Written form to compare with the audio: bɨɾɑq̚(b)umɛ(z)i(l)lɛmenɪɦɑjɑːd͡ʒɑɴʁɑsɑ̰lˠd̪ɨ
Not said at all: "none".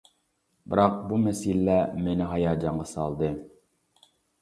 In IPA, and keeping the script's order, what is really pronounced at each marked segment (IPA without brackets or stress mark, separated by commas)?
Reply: b, s, l